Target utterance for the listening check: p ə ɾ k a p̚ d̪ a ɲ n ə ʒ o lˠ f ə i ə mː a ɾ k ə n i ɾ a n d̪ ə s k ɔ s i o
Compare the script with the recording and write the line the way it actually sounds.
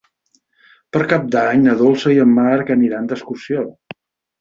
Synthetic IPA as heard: p ə ɾ k a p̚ d̪ a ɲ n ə ð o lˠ s ə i ə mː a ɾ k ə n i ɾ a n d̪ ə s k u s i o